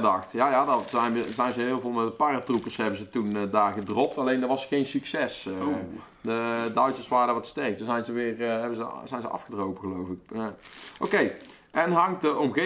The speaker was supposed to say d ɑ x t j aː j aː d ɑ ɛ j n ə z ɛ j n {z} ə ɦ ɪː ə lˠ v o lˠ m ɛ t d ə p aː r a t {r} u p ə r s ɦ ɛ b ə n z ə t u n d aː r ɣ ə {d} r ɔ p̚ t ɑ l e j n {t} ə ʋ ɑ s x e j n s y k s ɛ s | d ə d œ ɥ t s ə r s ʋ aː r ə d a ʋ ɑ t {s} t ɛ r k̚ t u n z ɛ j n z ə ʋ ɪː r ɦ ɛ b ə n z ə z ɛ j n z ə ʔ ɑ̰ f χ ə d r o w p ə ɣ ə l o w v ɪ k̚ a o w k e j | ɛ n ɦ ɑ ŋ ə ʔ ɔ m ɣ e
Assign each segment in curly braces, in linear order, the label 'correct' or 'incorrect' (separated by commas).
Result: correct, correct, correct, incorrect, correct